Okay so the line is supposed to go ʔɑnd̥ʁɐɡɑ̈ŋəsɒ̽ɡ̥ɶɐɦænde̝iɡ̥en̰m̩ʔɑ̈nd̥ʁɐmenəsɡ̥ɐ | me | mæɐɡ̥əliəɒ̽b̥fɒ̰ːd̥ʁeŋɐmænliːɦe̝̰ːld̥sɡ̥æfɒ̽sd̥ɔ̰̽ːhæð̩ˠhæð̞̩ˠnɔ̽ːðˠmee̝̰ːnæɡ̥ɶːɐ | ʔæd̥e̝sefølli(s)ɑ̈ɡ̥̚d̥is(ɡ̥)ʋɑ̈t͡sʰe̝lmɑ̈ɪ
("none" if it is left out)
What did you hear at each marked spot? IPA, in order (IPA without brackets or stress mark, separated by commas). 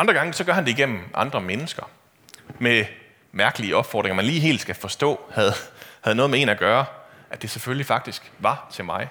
f, ɡ̥